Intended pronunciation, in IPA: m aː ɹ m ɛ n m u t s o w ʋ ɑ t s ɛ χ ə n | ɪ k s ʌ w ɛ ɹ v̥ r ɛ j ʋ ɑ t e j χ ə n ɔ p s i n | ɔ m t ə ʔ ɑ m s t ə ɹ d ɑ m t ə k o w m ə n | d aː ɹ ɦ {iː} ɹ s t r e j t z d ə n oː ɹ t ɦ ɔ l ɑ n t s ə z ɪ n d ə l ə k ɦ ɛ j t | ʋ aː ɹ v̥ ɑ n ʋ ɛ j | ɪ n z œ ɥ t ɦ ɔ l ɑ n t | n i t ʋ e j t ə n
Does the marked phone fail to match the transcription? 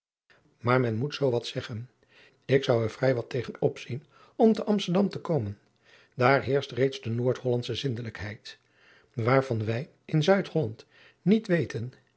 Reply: yes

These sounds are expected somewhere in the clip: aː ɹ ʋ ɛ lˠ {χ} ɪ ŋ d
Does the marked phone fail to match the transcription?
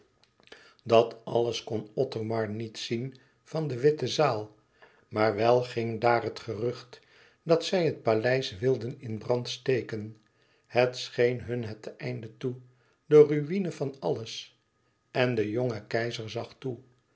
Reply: no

